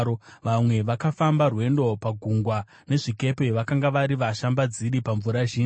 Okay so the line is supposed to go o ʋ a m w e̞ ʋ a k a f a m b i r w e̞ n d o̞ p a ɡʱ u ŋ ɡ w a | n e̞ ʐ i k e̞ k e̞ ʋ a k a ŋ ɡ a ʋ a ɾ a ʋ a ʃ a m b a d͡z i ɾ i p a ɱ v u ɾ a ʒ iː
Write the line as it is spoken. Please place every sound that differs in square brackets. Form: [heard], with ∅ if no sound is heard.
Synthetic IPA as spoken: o ʋ a m w e̞ ʋ a k a f a m b [a] r w e̞ n d o̞ p a ɡʱ u ŋ ɡ w a | n e̞ ʐ i k e̞ [p] e̞ ʋ a k a ŋ ɡ a ʋ a ɾ [i] ʋ a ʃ a m b a d͡z i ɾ i p a ɱ v u ɾ a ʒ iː